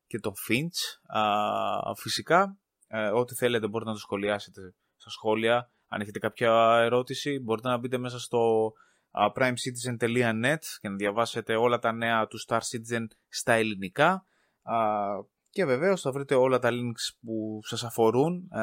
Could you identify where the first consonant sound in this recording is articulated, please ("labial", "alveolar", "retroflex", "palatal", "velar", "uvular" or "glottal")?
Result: palatal